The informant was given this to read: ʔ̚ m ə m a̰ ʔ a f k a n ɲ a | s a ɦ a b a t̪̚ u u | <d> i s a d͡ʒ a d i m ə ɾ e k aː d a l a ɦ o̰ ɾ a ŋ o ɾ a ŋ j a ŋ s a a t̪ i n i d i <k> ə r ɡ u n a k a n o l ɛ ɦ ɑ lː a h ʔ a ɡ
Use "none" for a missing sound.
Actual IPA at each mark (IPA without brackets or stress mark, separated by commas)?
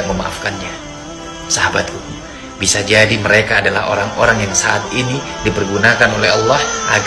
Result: b, p